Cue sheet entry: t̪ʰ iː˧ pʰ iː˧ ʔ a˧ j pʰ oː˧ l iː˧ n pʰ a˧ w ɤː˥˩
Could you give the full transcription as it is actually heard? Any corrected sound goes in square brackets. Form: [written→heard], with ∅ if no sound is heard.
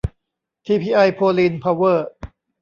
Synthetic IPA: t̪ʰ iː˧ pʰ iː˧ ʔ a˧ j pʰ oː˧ l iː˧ n pʰ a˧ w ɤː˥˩

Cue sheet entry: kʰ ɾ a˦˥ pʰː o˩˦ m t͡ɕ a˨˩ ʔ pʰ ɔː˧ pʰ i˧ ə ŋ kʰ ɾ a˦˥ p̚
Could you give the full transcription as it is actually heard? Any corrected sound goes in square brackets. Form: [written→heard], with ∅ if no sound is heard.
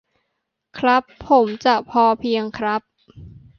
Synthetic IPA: kʰ ɾ a˦˥ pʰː o˩˦ m t͡ɕ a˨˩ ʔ pʰ ɔː˧ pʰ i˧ ə ŋ kʰ ɾ a˦˥ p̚

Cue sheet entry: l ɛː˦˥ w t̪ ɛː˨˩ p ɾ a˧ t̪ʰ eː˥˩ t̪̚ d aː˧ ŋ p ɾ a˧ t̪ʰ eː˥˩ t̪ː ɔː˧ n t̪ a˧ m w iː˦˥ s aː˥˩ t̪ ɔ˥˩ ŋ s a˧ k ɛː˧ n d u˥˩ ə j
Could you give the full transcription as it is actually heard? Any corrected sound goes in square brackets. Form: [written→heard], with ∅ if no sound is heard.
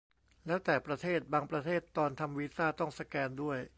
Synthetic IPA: l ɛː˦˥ w t̪ ɛː˨˩ p ɾ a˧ t̪ʰ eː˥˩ t̪̚ [d→b] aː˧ ŋ p ɾ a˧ t̪ʰ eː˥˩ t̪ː ɔː˧ n [t̪→t̪ʰ] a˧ m w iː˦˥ s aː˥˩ t̪ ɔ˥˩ ŋ s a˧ k ɛː˧ n d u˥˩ ə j

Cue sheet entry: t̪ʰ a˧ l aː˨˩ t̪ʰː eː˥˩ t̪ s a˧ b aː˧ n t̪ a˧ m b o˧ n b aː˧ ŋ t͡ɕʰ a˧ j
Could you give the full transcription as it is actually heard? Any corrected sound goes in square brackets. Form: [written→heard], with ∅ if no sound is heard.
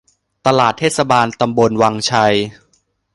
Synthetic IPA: [t̪ʰ→t̪] a˧ l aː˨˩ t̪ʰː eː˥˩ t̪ s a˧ b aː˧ n t̪ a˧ m b o˧ n [b→w] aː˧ ŋ t͡ɕʰ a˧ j

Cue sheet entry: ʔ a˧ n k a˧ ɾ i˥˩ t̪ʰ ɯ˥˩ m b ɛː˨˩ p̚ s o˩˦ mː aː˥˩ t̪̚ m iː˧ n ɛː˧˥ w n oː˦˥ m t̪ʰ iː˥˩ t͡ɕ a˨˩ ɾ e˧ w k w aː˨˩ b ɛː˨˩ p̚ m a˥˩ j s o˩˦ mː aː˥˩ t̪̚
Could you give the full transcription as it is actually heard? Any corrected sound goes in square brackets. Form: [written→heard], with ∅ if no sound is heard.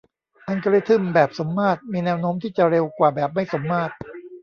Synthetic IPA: ʔ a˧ n k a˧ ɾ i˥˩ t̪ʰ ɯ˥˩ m b ɛː˨˩ p̚ s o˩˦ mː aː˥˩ t̪̚ m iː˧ n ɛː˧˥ w n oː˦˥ m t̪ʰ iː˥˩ t͡ɕ a˨˩ ɾ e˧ w k w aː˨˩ b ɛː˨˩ p̚ m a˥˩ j s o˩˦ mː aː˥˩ t̪̚

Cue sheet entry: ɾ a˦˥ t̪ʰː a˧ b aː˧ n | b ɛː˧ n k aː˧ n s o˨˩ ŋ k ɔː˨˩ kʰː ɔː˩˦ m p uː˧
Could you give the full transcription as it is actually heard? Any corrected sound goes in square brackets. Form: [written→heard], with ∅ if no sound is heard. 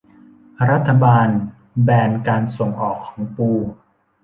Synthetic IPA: ɾ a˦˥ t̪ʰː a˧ b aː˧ n | b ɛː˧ n k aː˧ n s o˨˩ ŋ [k→ʔ] ɔː˨˩ kʰː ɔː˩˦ [m→ŋ] p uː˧

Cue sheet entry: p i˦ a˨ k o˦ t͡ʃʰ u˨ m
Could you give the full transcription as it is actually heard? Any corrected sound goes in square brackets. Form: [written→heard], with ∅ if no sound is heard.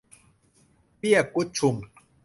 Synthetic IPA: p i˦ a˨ k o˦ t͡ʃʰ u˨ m

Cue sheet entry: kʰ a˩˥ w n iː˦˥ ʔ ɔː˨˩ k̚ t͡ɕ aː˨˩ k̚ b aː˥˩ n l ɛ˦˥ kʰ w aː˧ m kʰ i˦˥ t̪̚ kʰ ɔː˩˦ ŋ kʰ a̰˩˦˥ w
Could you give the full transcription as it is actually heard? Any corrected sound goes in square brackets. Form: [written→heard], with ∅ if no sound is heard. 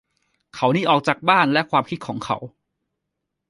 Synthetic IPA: kʰ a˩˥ w n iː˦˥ ʔ ɔː˨˩ k̚ t͡ɕ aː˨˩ k̚ b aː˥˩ n l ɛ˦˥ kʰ w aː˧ m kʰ i˦˥ t̪̚ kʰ ɔː˩˦ ŋ kʰ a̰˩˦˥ w

